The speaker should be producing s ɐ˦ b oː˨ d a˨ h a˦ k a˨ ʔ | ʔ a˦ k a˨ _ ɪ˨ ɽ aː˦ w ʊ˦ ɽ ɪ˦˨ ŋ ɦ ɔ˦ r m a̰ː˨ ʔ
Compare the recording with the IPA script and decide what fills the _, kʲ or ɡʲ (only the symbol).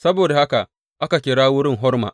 kʲ